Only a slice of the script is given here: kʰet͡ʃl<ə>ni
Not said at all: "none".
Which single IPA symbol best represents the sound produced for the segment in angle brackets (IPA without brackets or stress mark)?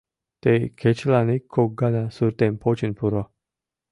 a